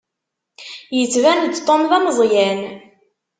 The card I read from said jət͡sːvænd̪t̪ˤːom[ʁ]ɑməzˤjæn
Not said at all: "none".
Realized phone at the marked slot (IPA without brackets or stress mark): ð